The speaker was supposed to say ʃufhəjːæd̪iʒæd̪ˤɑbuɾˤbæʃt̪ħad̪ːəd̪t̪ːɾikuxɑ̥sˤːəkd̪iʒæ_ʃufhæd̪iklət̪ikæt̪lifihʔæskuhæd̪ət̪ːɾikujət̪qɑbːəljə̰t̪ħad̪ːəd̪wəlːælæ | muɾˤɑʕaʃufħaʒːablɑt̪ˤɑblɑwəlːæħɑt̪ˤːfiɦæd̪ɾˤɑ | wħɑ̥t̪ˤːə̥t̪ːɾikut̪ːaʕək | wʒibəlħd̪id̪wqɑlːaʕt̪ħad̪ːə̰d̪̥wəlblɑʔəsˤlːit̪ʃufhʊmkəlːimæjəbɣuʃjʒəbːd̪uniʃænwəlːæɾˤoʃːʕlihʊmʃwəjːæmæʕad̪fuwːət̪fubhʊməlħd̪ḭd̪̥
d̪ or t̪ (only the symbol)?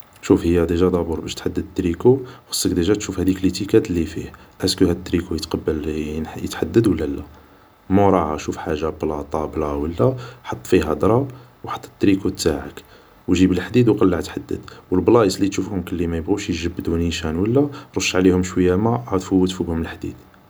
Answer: t̪